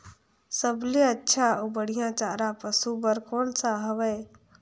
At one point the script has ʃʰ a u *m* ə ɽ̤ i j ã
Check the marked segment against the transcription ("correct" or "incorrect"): incorrect